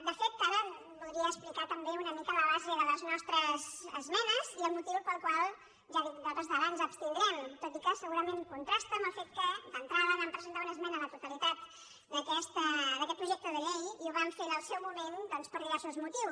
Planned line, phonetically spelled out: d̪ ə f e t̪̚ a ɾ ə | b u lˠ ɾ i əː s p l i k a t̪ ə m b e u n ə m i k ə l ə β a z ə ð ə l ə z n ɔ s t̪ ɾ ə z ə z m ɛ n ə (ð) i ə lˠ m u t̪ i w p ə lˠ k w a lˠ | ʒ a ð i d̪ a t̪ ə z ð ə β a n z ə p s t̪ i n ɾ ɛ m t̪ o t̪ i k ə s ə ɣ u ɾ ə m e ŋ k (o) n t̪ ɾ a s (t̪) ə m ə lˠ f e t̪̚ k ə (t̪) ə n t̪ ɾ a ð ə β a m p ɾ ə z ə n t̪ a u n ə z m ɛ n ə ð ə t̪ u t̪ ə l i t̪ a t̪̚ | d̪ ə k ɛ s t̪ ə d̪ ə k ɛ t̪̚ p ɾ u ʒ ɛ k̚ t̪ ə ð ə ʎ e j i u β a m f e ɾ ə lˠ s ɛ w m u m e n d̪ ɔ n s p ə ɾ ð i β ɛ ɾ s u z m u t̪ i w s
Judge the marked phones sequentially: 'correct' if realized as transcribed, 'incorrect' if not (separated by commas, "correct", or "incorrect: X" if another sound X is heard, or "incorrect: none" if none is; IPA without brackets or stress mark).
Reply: incorrect: z, incorrect: u, correct, incorrect: d̪